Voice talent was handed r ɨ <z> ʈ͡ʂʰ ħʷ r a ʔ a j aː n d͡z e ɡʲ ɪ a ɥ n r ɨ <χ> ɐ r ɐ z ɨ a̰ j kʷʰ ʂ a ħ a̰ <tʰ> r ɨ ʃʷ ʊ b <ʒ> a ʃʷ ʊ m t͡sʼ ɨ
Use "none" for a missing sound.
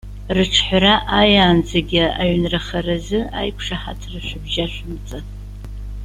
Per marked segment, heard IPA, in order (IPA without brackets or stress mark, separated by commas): none, χ, tʰ, ʒ